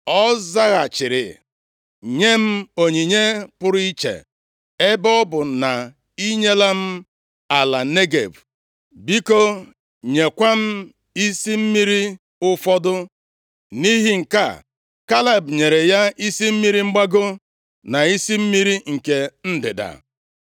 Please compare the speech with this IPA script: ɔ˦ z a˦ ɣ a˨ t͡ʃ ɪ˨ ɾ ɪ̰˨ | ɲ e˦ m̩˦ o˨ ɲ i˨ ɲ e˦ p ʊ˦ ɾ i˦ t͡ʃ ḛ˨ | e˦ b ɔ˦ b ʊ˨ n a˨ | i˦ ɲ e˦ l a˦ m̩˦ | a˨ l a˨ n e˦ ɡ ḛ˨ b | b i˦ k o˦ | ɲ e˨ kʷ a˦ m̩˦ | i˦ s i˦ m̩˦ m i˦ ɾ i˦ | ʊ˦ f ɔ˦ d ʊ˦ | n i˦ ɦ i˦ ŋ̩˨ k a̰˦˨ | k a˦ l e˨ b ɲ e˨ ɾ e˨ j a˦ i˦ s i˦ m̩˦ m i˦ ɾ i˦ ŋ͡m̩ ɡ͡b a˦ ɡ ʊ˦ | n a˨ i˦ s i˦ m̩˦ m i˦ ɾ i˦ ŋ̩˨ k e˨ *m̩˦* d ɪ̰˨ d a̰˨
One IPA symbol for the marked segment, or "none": n̩˦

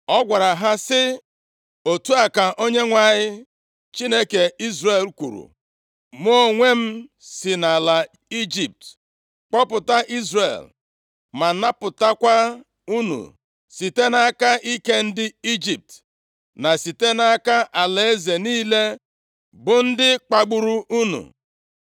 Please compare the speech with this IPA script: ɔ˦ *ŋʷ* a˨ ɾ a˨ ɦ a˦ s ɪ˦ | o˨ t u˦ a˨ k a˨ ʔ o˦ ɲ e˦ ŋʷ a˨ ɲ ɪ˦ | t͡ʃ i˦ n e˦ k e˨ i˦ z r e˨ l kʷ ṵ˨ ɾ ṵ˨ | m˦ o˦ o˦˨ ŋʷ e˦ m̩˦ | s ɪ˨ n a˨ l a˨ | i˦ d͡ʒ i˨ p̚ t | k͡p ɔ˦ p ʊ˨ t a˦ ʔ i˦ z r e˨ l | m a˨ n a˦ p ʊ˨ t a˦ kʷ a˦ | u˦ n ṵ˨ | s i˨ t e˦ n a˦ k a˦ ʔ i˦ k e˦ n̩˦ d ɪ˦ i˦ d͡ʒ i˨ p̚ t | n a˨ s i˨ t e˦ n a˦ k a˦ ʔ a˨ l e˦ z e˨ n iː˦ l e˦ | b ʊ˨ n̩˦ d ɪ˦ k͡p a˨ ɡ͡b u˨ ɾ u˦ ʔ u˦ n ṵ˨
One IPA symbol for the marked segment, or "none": ɡʷ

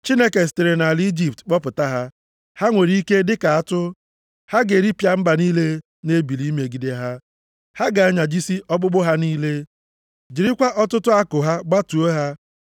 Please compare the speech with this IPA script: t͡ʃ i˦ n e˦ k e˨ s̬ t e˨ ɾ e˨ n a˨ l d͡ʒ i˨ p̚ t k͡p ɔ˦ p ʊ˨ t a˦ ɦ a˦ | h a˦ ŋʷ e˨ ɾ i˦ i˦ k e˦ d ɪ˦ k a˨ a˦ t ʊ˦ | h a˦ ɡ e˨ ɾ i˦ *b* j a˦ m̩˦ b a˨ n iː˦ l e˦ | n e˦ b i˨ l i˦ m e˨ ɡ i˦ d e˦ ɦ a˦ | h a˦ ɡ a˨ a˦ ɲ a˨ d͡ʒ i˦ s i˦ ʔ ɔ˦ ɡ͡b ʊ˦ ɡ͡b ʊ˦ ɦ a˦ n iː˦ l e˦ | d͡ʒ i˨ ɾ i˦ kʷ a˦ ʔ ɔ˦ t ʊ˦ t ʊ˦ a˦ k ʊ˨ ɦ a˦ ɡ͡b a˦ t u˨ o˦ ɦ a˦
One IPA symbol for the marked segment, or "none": p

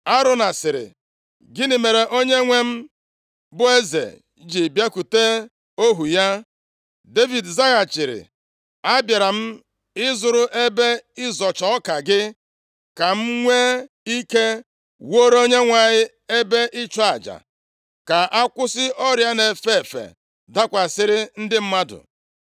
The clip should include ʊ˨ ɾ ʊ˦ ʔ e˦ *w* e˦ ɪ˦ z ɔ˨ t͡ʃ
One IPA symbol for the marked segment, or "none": b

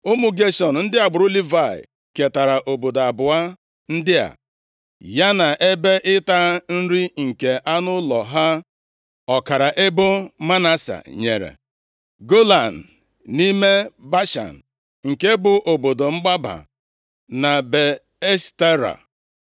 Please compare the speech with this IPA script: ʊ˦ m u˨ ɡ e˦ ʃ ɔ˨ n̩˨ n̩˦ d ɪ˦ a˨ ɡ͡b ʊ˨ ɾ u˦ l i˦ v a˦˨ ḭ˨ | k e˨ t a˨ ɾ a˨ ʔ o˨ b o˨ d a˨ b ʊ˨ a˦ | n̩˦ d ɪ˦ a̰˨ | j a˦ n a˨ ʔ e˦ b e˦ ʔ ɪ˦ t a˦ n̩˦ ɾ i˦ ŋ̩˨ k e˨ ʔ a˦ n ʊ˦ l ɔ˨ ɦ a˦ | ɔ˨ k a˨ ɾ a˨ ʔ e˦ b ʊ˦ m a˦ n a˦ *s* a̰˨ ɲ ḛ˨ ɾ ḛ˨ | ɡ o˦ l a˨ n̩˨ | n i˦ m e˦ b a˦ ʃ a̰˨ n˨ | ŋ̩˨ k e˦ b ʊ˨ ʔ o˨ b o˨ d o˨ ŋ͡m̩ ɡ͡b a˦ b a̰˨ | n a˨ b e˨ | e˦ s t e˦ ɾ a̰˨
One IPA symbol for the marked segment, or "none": s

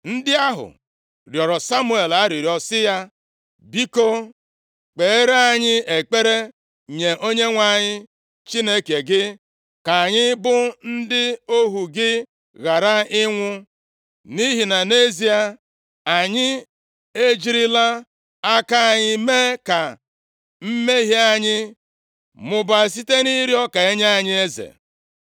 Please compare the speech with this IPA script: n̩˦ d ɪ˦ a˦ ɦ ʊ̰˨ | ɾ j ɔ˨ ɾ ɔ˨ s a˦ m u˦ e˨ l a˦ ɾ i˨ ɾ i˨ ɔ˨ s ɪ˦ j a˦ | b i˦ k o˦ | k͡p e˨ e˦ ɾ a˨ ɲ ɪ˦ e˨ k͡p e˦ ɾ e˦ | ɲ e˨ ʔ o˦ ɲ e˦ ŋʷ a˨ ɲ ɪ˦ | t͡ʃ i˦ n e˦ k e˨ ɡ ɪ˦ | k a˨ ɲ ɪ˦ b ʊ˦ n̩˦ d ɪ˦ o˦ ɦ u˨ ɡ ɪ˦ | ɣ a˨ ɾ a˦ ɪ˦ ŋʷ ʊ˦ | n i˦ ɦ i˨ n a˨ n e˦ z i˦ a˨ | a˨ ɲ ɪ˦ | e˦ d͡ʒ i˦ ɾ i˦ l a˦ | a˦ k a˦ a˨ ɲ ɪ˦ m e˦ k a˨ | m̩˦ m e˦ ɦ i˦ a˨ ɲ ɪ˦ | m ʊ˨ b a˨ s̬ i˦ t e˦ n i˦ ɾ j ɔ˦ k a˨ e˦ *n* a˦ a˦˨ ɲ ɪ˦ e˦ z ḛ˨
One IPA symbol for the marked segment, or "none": ɲ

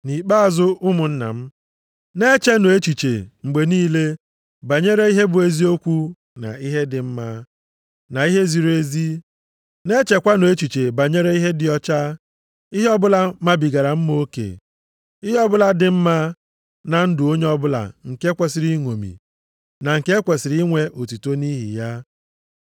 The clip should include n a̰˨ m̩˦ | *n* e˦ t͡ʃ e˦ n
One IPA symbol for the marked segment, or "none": n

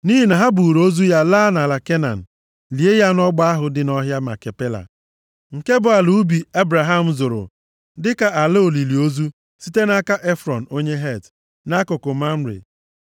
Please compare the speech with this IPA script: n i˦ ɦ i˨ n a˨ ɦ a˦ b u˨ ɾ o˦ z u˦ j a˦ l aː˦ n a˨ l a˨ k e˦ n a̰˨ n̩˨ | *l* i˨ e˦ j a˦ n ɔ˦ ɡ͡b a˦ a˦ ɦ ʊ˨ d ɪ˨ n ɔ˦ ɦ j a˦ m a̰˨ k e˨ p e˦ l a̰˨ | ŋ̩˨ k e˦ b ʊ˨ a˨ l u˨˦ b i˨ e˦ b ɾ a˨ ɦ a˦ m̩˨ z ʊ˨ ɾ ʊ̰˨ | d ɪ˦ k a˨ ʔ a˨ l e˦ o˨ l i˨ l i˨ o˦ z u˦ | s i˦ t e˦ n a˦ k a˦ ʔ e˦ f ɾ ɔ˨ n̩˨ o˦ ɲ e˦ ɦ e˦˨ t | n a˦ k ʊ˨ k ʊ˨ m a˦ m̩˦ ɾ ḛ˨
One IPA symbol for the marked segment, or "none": l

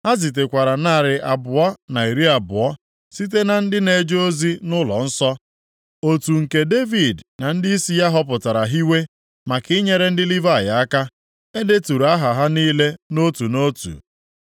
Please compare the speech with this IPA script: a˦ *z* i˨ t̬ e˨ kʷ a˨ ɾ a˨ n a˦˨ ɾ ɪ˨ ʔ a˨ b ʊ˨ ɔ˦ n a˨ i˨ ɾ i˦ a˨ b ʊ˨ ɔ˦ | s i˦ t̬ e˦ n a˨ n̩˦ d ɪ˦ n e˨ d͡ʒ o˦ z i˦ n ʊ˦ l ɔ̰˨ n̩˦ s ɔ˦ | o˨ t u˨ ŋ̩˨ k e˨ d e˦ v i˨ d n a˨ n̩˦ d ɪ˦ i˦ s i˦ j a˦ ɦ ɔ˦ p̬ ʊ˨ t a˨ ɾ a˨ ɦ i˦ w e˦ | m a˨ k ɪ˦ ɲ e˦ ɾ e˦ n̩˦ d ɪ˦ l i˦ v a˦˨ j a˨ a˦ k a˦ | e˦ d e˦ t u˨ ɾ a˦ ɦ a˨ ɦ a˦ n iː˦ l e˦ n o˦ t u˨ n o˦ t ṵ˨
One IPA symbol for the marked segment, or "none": z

